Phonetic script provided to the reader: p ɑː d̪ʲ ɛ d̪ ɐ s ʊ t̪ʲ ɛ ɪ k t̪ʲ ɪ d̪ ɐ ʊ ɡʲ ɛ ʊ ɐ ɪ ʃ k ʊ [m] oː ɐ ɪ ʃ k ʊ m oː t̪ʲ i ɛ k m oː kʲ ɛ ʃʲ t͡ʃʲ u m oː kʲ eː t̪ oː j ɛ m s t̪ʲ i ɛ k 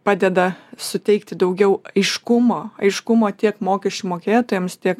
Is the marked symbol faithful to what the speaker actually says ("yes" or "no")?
yes